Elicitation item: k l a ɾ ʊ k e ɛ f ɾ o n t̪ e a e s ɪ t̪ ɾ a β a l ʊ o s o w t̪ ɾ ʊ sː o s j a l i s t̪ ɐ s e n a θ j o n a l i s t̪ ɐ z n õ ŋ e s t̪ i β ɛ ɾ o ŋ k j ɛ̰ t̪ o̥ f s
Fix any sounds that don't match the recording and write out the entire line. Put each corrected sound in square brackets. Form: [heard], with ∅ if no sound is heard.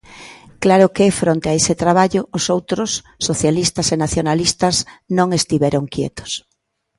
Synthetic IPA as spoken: k l a ɾ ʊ k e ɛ f ɾ o n t̪ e a e s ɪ t̪ ɾ a β a [ʎ] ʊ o s o w t̪ ɾ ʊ sː o [θ] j a l i s t̪ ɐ s e n a θ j o n a l i s t̪ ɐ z n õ ŋ e s t̪ i β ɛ ɾ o ŋ k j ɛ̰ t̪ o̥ [∅] s